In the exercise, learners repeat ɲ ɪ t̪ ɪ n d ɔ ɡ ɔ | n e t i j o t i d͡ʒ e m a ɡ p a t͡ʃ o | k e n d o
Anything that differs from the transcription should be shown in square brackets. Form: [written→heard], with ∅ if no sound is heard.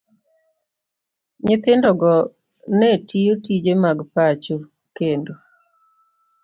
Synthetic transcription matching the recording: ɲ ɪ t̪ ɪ n d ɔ ɡ ɔ | n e t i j o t i d͡ʒ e m a ɡ p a t͡ʃ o | k e n d o

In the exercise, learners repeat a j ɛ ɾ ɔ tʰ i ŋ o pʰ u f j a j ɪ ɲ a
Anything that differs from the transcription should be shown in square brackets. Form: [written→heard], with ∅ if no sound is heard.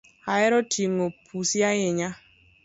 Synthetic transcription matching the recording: a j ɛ ɾ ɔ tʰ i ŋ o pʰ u [f→s] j a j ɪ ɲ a

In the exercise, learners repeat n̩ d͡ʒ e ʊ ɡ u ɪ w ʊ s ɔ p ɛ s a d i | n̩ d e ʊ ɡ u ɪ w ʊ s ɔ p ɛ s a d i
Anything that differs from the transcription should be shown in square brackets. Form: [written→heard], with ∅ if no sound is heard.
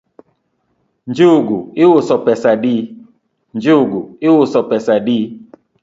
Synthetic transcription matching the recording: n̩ d͡ʒ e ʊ ɡ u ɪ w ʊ s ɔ p ɛ s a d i | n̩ [d→d͡ʒ] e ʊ ɡ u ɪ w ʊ s ɔ p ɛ s a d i

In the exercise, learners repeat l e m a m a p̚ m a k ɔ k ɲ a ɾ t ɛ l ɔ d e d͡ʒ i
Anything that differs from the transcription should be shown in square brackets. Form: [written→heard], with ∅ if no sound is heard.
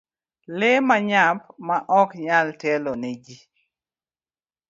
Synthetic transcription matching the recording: l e m a [m→ɲ] a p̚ m a [k→ʔ] ɔ k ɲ a [ɾ→l] t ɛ l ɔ [d→n] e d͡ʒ i

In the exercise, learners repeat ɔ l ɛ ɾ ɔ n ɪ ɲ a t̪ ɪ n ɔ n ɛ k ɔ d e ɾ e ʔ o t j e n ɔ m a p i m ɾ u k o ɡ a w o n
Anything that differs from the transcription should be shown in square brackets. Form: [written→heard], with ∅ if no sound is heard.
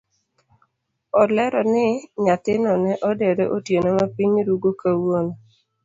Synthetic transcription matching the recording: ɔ l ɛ ɾ ɔ n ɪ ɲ a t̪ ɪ n ɔ n ɛ [k→ʔ] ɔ d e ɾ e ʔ o t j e n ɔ m a p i [m→ɲ] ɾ u [k→ɡ] o [ɡ→k] a w o n

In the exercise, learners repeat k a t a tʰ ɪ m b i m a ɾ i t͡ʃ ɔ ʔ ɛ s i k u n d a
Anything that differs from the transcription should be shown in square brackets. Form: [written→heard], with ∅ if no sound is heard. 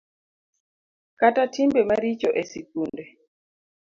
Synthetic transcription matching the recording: k a t a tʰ [ɪ→i] m b [i→ɛ] m a ɾ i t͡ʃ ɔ ʔ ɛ s i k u n d [a→ɛ]

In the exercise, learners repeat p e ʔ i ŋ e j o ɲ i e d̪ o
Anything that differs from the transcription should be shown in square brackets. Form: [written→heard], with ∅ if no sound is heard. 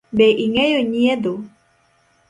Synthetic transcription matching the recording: [p→b] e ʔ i ŋ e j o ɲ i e d̪ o

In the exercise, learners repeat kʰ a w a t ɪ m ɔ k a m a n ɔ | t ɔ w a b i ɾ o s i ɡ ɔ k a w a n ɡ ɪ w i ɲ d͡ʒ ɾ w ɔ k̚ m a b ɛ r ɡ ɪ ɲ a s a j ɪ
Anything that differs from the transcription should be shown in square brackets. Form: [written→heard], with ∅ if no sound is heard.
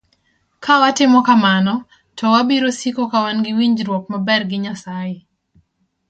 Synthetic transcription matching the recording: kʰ a w a t ɪ m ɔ k a m a n ɔ | t ɔ w a b i ɾ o s i [ɡ→k] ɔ k a w a n ɡ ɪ w i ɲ d͡ʒ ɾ w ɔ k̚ m a b ɛ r ɡ ɪ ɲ a s a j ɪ

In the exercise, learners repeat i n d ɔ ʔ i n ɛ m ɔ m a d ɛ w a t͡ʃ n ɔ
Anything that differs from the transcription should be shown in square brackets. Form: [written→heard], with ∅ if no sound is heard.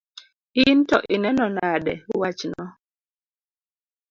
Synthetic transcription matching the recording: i n [d→t] ɔ ʔ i n ɛ [m→n] ɔ [m→n] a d ɛ w a t͡ʃ n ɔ

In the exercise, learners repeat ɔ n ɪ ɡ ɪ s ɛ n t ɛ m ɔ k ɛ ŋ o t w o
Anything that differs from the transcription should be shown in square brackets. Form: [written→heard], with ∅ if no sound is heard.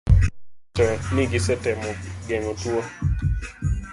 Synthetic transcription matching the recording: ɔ n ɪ ɡ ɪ s ɛ [n→∅] t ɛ m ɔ [k→ɡ] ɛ ŋ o t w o

